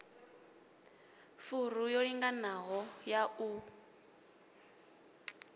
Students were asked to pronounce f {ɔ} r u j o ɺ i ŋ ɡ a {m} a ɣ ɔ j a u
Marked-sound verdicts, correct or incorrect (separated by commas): incorrect, incorrect